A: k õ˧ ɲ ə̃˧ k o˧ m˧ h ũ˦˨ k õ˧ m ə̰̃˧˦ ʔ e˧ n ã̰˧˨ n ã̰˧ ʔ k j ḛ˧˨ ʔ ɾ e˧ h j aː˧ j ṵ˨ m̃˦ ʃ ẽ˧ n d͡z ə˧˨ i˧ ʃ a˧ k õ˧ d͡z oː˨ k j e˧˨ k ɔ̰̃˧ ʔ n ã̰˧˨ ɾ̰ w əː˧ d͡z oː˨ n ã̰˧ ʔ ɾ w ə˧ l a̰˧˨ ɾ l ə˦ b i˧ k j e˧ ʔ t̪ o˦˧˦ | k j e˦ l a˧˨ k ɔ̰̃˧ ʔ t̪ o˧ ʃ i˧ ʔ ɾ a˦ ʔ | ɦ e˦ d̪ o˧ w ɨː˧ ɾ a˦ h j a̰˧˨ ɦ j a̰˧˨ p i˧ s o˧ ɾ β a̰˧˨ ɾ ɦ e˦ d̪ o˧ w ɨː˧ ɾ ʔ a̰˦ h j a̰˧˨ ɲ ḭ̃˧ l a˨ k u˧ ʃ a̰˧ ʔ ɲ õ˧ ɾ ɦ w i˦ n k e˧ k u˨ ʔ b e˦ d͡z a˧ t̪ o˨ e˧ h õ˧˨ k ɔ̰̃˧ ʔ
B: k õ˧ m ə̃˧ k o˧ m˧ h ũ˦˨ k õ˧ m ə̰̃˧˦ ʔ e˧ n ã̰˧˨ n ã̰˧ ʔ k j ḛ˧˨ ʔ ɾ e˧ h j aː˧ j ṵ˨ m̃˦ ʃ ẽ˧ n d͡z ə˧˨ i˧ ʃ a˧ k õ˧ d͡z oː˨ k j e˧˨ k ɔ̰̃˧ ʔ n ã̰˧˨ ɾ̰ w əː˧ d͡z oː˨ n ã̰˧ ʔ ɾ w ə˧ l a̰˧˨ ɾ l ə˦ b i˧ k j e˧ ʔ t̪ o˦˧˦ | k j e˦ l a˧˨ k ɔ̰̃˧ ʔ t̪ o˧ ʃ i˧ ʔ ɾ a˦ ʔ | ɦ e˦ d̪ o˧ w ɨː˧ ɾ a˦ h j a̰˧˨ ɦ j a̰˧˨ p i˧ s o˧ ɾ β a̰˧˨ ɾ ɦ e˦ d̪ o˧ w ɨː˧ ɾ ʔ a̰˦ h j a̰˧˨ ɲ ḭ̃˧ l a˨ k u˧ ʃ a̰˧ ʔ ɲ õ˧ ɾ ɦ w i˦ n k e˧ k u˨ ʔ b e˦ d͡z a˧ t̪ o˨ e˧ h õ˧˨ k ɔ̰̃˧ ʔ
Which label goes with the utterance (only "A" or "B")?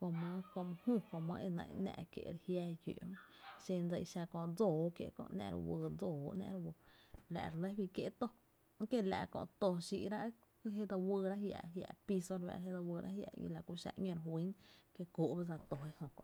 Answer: B